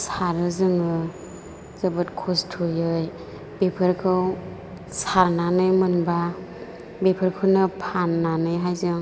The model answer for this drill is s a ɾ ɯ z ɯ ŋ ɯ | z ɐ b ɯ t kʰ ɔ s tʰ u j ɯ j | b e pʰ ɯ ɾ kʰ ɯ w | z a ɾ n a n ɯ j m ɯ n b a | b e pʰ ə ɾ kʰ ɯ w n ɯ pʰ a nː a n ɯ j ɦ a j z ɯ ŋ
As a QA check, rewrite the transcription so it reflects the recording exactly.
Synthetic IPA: s a ɾ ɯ z ɯ ŋ ɯ | z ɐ b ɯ t kʰ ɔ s tʰ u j ɯ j | b e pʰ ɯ ɾ kʰ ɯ w | s a ɾ n a n ɯ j m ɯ n b a | b e pʰ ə ɾ kʰ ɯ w n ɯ pʰ a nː a n ɯ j ɦ a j z ɯ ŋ